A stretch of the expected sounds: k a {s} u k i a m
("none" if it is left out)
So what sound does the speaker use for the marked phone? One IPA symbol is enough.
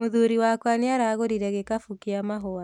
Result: f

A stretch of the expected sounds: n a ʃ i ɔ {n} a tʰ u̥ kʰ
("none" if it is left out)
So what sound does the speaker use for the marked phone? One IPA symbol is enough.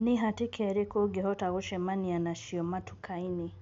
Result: m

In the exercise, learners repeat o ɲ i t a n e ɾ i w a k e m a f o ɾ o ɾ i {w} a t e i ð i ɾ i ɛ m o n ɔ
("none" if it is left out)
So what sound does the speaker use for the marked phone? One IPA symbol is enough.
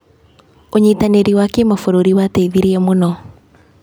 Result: w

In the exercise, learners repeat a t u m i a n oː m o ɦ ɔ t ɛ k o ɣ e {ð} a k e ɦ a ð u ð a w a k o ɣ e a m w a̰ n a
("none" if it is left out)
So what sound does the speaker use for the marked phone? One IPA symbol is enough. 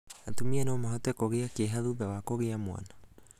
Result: none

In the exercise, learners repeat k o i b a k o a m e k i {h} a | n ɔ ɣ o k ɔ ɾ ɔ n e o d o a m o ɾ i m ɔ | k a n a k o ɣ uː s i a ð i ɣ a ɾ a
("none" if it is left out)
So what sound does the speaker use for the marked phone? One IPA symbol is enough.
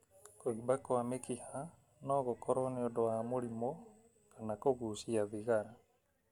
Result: h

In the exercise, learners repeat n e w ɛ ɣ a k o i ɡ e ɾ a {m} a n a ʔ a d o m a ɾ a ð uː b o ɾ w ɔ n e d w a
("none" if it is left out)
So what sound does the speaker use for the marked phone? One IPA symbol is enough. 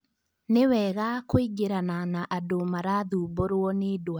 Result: n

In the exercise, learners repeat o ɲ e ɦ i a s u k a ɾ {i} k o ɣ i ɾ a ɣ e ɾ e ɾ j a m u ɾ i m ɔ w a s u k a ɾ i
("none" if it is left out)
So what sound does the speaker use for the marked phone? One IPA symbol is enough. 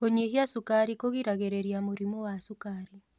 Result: i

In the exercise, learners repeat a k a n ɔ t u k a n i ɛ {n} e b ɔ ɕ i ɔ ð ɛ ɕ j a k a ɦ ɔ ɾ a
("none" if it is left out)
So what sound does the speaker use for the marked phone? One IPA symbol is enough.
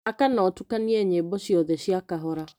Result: ɲ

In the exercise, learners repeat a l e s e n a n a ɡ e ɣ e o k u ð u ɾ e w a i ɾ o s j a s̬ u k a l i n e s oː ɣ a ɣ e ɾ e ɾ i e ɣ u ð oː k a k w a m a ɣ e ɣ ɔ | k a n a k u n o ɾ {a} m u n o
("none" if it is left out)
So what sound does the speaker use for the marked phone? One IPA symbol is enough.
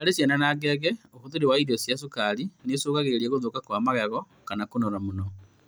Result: a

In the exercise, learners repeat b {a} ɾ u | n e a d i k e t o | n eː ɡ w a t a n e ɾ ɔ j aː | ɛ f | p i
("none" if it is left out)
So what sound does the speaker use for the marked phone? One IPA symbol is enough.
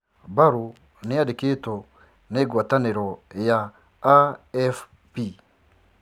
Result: a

